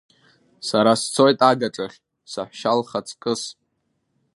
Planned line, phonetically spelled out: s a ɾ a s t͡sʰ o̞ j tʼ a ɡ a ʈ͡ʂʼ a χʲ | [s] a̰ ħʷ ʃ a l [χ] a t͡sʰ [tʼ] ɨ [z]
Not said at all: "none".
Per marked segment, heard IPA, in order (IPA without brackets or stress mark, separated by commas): s, χ, kʼ, s